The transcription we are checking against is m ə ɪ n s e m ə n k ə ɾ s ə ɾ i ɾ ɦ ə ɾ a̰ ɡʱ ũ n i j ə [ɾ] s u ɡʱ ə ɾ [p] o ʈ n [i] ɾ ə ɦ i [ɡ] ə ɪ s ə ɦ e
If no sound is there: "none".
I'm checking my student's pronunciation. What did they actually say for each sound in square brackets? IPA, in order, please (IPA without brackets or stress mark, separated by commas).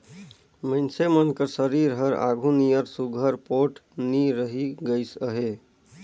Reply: ɾ, p, i, ɡ